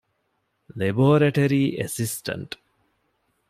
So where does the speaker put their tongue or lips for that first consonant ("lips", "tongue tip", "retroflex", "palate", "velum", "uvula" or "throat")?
tongue tip